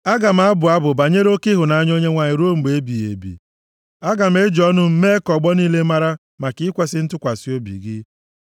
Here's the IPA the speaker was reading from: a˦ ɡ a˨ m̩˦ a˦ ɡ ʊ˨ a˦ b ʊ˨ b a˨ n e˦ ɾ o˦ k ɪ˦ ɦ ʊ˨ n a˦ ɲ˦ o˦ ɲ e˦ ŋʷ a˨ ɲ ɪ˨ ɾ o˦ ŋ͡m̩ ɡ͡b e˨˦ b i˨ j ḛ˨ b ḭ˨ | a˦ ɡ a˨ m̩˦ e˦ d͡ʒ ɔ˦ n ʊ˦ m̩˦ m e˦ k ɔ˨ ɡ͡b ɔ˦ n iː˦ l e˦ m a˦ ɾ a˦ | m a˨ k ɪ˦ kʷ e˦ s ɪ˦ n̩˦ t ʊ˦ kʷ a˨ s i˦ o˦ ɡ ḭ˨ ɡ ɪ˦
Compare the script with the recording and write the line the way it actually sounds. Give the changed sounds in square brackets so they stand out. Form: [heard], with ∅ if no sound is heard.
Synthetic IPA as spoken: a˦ ɡ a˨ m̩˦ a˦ [b] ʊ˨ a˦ b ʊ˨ b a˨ [ɲ] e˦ ɾ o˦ k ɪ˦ ɦ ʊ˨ n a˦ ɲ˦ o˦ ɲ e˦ ŋʷ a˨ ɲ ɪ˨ ɾ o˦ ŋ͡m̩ ɡ͡b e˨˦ b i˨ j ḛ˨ b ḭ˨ | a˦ ɡ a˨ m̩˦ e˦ d͡ʒ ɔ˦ n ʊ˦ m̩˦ m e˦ k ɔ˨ ɡ͡b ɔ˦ n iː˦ l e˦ m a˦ ɾ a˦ | m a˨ k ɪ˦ kʷ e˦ s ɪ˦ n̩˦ t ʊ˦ kʷ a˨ s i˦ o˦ [b] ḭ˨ ɡ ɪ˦